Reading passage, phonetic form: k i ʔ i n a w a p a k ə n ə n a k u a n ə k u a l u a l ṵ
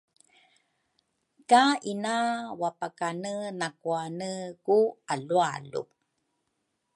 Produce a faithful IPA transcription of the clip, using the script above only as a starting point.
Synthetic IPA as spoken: k a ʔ i n a w a p a k a n ə n a k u a n ə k u a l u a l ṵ